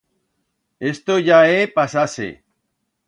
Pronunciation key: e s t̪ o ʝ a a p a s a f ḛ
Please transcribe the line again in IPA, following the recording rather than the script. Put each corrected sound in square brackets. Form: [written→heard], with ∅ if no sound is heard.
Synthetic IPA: e s t̪ o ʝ a [a→e] p a s a [f→s] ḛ